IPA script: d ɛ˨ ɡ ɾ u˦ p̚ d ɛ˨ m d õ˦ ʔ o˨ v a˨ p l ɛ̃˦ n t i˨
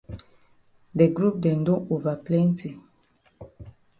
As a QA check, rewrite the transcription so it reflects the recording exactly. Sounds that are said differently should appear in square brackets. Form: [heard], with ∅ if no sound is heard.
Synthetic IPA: d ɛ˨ ɡ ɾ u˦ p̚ d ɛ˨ [n] d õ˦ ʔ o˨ v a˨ p l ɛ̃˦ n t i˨